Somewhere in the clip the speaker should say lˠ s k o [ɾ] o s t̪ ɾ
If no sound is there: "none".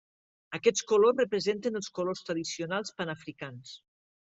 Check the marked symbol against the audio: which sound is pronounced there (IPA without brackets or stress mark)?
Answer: l